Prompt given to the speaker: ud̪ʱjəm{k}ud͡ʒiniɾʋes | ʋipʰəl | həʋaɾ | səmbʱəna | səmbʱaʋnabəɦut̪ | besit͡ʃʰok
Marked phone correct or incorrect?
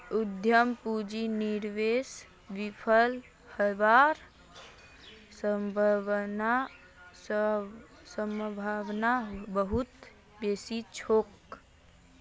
incorrect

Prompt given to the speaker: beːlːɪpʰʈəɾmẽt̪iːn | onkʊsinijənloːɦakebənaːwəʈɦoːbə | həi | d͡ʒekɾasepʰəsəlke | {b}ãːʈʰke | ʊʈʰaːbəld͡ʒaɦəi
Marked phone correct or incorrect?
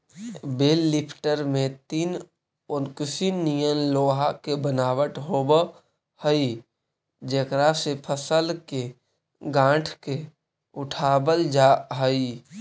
incorrect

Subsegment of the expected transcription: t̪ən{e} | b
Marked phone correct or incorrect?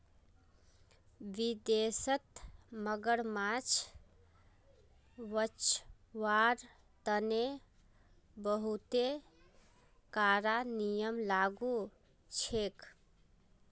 correct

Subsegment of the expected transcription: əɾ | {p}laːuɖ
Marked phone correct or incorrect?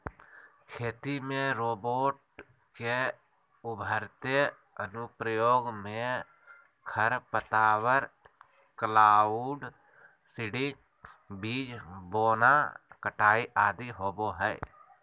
incorrect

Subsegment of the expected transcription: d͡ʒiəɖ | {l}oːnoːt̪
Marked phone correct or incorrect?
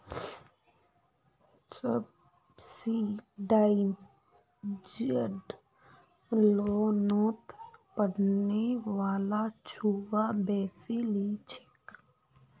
correct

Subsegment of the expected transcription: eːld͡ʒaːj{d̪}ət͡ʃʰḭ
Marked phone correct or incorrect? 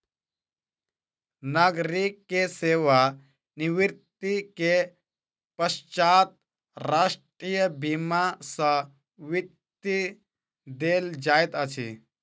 incorrect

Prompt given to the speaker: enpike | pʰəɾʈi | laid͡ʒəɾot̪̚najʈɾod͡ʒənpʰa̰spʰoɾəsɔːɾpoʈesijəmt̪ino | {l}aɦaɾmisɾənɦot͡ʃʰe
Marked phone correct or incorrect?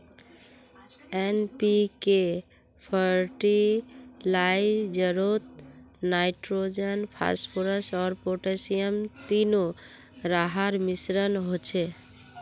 incorrect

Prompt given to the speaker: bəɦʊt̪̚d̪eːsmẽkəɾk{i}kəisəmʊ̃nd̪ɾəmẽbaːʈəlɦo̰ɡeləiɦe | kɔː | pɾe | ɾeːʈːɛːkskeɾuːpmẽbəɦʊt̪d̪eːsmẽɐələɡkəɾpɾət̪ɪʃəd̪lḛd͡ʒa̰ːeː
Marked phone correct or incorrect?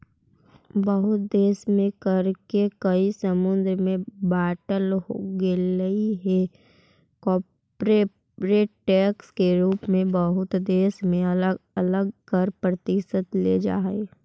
incorrect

